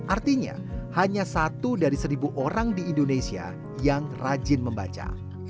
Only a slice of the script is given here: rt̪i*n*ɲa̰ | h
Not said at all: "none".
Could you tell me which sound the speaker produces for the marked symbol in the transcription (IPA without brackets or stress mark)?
none